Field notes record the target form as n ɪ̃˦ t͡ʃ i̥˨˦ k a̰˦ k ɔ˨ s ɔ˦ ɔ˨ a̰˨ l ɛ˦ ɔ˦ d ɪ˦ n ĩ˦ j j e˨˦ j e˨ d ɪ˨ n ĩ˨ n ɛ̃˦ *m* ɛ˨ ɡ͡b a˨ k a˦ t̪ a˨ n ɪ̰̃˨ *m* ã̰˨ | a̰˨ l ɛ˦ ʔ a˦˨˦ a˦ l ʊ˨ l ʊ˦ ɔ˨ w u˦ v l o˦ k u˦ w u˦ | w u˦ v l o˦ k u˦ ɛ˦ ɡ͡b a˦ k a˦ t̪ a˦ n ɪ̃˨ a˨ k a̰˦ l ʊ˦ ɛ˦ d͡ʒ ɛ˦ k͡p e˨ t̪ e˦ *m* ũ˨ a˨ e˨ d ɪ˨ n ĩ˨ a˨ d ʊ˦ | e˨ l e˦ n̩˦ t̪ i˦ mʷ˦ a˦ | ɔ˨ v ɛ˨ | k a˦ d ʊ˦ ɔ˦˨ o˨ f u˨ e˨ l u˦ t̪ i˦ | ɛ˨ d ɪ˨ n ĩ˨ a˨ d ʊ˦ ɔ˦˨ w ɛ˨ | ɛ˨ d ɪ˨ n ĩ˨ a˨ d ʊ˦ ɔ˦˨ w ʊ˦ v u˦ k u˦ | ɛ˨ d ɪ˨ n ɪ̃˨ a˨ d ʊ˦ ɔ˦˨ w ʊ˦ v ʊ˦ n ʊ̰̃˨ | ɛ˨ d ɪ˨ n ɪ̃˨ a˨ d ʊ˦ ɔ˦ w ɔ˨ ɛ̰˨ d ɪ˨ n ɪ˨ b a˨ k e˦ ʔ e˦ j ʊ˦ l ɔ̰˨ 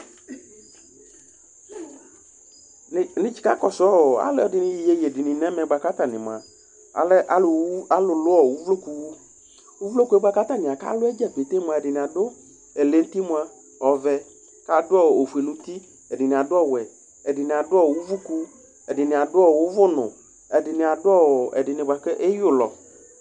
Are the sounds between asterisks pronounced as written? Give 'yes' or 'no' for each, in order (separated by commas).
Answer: yes, yes, yes